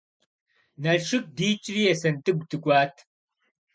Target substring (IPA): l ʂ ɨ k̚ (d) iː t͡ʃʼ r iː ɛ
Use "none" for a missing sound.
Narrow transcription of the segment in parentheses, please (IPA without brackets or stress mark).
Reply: d